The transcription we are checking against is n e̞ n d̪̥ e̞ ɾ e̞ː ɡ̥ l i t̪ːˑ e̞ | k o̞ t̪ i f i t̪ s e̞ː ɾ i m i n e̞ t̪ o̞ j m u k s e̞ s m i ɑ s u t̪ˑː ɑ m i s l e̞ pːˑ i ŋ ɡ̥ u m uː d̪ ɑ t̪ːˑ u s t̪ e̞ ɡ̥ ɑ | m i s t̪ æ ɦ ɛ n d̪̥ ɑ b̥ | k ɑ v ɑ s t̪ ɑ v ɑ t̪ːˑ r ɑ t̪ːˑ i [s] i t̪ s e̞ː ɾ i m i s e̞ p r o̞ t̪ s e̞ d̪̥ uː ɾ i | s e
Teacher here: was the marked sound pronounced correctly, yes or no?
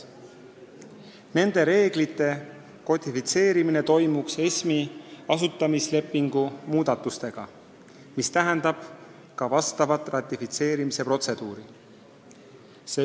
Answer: no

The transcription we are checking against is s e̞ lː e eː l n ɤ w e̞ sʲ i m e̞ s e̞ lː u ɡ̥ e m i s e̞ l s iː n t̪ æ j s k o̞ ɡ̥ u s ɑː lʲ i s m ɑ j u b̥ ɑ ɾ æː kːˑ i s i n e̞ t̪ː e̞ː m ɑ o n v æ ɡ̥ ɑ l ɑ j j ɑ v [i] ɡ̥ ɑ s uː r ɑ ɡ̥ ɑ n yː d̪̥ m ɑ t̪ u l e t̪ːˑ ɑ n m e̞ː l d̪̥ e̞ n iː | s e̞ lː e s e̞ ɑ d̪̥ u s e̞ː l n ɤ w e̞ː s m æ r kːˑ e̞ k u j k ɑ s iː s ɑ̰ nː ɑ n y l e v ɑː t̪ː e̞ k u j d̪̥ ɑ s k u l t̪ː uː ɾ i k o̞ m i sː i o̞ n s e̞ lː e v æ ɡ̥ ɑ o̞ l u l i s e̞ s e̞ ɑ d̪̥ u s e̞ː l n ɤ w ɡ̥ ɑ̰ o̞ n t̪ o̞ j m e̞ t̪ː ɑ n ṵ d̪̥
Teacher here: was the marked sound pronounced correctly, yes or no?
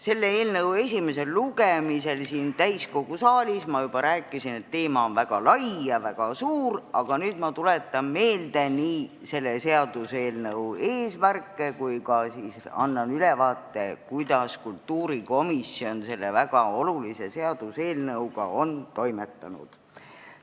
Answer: no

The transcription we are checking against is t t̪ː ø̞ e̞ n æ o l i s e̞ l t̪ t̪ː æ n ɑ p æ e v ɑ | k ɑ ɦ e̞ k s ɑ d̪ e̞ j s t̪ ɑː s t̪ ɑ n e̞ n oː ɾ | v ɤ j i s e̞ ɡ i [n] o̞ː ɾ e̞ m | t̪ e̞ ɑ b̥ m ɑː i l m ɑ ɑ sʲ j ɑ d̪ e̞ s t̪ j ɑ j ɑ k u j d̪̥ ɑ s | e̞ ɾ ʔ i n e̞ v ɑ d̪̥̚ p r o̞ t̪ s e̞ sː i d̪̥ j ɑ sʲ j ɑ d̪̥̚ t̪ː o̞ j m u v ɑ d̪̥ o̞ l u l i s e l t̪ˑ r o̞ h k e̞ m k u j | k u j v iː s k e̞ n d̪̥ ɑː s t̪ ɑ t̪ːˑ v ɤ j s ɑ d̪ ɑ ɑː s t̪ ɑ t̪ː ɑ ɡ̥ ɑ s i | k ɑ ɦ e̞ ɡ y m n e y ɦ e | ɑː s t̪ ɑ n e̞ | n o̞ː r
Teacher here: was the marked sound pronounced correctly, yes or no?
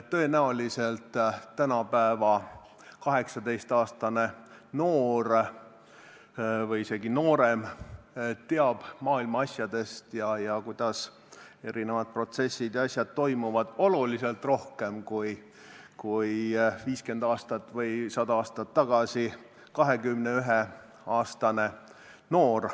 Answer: yes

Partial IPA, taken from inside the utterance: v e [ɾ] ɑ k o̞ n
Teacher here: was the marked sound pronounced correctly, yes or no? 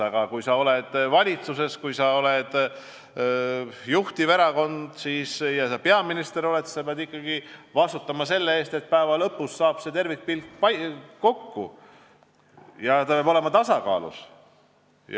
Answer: yes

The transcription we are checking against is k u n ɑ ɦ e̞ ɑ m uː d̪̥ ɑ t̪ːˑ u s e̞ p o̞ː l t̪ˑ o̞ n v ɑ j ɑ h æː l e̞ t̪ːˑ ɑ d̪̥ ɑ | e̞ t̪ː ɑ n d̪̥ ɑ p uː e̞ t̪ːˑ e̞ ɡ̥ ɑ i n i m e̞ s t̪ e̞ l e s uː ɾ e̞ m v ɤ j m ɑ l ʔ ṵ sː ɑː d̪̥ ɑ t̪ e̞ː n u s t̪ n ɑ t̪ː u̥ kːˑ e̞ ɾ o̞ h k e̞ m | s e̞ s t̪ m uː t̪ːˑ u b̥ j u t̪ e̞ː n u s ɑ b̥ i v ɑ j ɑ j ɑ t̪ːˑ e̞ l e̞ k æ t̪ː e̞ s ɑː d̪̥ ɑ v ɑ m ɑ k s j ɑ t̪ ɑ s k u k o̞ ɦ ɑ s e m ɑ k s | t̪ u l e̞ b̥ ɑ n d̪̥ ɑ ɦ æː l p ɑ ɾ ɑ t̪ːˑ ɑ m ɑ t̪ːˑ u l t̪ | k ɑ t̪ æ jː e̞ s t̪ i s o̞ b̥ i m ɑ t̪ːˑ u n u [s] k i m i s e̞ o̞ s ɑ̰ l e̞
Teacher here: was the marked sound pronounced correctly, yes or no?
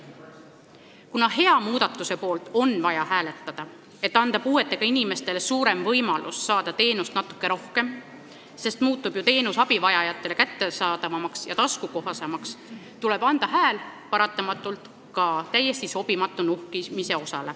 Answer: no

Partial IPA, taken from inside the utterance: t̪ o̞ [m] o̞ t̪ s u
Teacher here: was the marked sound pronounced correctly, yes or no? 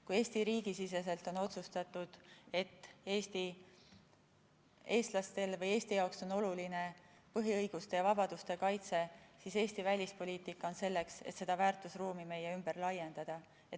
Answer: no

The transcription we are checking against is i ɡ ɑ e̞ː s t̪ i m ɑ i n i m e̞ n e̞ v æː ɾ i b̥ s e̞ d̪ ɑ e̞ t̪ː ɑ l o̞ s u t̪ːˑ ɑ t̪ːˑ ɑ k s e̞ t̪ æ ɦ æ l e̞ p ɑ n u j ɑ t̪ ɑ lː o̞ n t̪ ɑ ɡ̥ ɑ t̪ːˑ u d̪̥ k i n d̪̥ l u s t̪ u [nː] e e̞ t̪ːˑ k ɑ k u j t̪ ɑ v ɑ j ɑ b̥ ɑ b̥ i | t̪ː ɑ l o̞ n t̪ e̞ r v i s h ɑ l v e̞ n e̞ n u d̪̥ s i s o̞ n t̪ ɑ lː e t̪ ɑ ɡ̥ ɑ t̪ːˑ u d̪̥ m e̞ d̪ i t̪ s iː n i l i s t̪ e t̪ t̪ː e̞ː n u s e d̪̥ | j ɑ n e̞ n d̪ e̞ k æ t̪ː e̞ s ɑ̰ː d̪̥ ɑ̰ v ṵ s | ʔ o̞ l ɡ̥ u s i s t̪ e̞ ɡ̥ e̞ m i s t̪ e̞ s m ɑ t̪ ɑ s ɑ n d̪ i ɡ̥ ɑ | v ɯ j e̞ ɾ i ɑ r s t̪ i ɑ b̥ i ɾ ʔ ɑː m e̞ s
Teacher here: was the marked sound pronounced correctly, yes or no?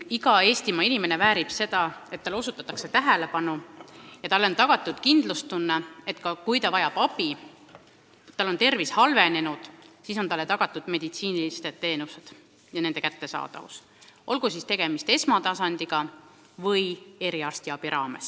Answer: yes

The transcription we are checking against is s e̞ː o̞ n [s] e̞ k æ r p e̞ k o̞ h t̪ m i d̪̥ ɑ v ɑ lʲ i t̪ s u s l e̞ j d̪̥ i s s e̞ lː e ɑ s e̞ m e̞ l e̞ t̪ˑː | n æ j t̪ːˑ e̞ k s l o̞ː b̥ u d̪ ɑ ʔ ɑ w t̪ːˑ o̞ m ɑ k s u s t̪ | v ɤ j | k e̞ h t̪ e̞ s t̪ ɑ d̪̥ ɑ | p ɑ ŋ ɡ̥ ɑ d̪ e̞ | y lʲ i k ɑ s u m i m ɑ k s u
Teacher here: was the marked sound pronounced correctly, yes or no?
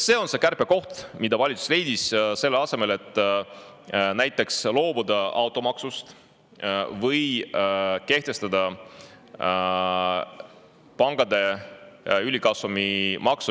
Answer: yes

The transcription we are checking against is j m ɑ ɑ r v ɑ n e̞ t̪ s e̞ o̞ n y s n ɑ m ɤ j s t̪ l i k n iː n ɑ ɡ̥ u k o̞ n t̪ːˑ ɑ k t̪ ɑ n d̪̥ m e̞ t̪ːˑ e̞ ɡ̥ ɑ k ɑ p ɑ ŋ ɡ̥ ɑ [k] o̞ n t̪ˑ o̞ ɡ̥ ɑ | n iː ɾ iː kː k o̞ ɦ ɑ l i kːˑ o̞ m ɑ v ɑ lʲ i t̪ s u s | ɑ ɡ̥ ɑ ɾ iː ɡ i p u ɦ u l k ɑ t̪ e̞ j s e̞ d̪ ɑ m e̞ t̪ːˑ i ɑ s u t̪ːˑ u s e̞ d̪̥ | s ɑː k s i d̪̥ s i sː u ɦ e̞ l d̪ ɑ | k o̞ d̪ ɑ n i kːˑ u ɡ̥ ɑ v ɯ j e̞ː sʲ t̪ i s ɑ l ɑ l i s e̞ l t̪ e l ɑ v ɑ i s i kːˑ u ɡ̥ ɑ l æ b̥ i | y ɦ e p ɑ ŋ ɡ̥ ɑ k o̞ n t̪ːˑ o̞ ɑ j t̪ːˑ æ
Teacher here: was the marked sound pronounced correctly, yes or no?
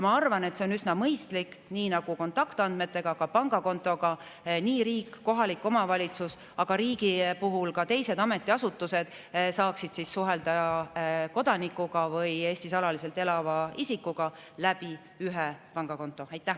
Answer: yes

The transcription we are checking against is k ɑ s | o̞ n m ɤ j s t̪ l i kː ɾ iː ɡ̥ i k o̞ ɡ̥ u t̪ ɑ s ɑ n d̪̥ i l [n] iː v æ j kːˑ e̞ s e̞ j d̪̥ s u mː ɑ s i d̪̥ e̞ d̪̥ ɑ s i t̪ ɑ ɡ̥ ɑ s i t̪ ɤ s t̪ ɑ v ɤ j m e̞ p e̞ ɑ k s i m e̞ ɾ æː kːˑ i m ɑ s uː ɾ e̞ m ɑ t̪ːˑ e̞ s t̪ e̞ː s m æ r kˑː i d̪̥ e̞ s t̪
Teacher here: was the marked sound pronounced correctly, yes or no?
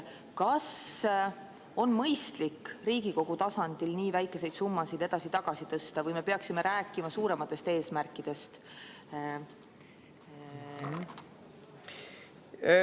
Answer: yes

